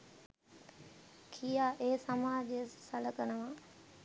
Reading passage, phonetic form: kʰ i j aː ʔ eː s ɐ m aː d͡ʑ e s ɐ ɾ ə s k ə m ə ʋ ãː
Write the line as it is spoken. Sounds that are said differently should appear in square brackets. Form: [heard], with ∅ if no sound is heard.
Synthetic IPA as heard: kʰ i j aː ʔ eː s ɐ m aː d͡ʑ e s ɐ [l] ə [∅] k ə [n] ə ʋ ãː